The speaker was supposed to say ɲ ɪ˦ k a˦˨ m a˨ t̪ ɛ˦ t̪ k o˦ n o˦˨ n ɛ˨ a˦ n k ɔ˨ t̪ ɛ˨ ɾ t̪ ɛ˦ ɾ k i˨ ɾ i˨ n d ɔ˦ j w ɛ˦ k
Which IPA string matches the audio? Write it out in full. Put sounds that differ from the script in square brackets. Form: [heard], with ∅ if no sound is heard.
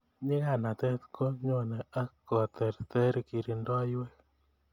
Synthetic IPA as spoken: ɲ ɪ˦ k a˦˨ [n] a˨ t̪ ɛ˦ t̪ k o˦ [ɲ] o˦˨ n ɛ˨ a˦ [∅] k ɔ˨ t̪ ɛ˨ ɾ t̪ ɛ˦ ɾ k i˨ ɾ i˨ n d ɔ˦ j w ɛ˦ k